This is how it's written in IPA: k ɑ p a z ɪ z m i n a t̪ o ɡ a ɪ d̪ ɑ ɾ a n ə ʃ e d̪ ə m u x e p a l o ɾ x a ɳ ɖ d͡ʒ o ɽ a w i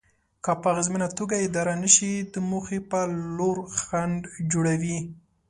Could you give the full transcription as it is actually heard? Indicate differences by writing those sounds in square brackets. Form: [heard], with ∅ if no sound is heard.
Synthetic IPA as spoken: k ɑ p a [ɣ] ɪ z m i n a t̪ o ɡ a ɪ d̪ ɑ ɾ a n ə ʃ [i] d̪ ə m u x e p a l o ɾ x a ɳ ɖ d͡ʒ o ɽ a w i